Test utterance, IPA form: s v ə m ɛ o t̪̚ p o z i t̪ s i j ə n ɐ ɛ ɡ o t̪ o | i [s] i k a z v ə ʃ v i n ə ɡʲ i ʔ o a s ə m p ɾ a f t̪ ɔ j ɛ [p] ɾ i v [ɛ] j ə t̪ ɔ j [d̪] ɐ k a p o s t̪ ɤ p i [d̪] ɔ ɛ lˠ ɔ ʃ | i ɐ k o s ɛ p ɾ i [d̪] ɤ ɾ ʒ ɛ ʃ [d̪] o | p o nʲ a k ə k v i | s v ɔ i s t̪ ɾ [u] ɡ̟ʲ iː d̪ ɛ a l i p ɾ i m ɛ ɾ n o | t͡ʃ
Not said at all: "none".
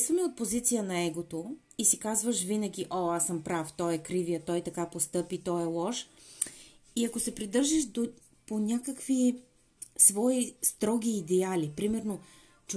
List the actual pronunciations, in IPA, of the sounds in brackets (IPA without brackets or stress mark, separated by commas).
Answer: s, k, i, t̪, t̪, d̪, d̪, ɔ